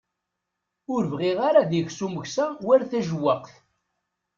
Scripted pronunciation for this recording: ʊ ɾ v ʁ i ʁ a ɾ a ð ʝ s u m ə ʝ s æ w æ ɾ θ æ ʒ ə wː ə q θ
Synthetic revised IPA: ʊ ɾ v ʁ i ʁ a ɾ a ð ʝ s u m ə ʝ s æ w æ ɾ θ æ ʒ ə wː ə q θ

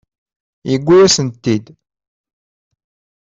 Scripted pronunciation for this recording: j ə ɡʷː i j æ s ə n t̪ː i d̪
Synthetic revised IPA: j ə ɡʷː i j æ s ə n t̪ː i d̪

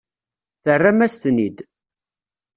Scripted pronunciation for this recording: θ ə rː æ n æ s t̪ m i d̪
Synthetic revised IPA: θ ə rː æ m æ s t̪ n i d̪

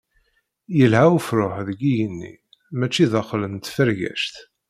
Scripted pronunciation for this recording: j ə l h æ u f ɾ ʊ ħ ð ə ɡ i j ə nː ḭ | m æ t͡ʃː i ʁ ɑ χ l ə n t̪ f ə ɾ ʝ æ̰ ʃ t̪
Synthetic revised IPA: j ə l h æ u f ɾ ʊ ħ ð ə ɡ i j ə nː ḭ | m æ t͡ʃː i ð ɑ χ l ə n t̪ f ə ɾ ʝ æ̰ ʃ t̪

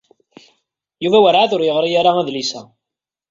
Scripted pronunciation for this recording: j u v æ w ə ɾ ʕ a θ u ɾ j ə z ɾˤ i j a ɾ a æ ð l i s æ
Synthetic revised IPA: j u v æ w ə ɾ ʕ a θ ʊ ɾ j ə ʁ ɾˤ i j a ɾ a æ ð l i s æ

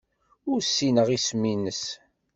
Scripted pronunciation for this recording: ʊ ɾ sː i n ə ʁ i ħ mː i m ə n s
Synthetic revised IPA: ʊ ɾ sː i n ə ʁ i s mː i n ə s

